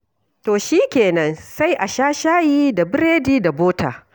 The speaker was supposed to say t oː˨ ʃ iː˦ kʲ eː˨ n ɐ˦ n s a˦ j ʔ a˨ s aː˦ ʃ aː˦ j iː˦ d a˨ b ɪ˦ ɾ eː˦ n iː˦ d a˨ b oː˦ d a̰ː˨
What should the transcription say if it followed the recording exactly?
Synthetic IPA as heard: t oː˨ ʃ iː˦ kʲ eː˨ n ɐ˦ n s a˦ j ʔ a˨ ʃ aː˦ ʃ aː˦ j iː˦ d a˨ b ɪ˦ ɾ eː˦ d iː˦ d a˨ b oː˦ t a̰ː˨